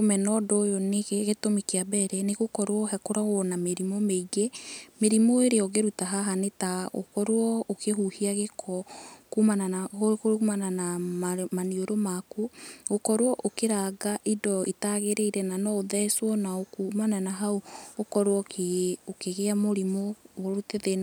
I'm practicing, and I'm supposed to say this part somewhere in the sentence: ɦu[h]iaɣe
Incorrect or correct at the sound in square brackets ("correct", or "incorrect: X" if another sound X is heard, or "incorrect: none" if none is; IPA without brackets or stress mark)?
correct